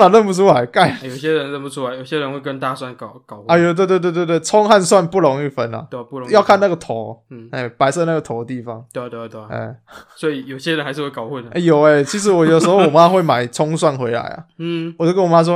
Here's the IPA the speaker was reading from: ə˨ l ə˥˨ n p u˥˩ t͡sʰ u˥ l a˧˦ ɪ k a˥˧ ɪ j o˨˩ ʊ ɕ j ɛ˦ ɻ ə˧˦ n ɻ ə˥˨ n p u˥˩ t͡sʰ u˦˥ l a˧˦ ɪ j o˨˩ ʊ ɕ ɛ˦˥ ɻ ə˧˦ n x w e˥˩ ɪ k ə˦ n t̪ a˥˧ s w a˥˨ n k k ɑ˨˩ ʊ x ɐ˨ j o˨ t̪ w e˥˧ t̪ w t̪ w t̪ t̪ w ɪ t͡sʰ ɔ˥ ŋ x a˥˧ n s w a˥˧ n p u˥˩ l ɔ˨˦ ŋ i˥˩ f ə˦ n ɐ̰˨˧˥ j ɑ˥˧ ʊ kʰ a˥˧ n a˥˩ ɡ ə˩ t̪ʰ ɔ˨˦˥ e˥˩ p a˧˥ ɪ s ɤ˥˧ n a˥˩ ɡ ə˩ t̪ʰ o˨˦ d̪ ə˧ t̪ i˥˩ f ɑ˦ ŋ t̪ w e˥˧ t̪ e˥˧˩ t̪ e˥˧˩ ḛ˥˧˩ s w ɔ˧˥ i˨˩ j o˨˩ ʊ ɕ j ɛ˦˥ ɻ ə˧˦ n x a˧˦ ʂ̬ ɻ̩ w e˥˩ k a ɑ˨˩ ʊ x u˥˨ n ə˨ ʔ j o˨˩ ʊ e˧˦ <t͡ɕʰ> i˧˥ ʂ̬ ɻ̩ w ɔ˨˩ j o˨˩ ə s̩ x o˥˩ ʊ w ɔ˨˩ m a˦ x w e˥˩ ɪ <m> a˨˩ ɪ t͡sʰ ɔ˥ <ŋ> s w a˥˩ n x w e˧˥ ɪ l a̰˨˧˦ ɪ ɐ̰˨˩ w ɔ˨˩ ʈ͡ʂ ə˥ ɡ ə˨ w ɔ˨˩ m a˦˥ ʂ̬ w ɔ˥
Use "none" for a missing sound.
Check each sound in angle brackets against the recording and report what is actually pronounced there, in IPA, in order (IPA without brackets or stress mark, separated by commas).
t͡ɕʰ, m, ŋ